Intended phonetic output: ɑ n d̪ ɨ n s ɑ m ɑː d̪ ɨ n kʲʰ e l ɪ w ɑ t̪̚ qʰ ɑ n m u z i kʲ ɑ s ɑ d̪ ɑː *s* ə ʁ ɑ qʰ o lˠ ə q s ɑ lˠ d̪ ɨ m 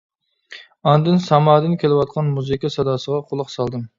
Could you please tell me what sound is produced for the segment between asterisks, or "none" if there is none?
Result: s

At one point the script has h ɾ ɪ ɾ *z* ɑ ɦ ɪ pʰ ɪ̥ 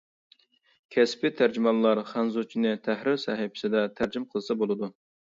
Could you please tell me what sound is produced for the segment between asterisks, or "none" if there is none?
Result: s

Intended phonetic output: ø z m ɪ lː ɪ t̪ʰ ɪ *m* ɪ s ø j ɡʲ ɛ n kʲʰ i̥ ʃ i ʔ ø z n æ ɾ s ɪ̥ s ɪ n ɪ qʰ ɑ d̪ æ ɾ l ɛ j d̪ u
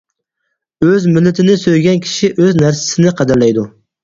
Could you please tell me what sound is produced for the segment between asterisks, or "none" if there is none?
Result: n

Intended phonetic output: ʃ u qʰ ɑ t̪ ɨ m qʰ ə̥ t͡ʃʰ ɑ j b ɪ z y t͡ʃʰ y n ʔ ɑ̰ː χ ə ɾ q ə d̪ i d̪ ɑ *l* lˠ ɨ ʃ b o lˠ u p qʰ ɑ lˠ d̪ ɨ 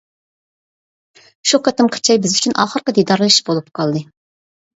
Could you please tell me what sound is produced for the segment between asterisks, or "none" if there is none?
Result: ɾ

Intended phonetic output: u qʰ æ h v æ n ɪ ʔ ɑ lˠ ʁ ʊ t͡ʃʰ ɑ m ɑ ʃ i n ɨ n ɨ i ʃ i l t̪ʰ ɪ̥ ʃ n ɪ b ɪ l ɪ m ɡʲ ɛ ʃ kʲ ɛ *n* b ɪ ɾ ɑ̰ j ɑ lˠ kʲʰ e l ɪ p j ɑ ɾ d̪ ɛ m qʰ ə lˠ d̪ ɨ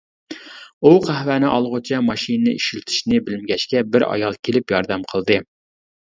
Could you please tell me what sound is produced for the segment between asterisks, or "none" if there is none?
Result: none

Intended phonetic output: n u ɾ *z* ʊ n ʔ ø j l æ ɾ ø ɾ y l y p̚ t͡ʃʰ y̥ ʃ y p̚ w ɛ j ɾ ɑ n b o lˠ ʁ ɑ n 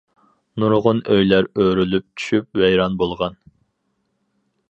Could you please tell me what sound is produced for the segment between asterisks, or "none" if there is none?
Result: ʁ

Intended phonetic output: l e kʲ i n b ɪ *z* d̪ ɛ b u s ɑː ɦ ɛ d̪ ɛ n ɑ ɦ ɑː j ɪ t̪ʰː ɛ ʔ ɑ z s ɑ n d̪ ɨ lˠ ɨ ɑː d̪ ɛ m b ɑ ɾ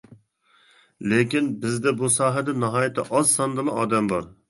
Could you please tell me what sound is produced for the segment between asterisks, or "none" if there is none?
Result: z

